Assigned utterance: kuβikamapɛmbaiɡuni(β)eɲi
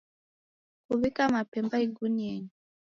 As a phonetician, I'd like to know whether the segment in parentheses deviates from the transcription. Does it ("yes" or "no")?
yes